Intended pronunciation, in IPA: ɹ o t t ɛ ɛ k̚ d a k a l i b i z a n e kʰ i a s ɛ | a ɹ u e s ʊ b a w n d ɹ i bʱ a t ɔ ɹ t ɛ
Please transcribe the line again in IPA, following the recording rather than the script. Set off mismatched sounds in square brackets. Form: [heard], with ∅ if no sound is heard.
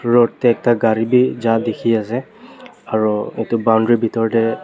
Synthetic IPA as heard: ɹ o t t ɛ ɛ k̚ [t] a [ɡ] a [ɹ] i b i z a [d] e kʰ i a s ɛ | a ɹ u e [t] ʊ b a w n d ɹ i bʱ [i] t ɔ ɹ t ɛ

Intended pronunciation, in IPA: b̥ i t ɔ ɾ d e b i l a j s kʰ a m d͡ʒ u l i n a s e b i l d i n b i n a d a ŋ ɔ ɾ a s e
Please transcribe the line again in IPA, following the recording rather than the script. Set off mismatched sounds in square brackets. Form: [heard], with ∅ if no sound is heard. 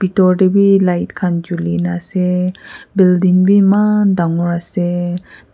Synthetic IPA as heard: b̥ i t ɔ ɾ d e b i l a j [t] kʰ a [n] d͡ʒ u l i n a s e b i l d i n b i [m] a d a ŋ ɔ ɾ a s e

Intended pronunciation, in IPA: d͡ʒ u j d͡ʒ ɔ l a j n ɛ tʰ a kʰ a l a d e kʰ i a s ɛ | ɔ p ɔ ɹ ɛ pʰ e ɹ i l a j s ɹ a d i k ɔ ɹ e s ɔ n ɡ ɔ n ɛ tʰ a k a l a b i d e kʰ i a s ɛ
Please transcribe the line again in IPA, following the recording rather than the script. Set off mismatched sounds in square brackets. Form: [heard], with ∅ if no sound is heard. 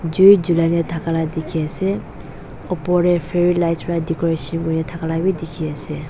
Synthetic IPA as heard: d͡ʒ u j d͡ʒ [u] l a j n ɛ tʰ a [k] a l a d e kʰ i a s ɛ | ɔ p ɔ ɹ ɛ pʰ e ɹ i l a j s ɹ a d i k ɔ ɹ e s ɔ n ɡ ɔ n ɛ tʰ a k a l a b i d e kʰ i a s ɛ

